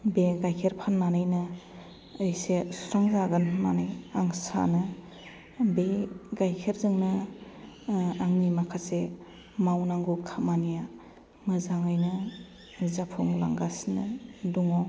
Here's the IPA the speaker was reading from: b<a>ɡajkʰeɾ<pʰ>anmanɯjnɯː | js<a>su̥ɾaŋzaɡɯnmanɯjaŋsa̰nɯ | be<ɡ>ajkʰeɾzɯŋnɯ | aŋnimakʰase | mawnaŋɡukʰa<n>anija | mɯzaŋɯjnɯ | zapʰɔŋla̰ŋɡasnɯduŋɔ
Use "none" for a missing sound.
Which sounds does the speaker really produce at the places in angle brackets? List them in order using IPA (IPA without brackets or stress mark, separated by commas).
e, pʰ, e, ɡ, m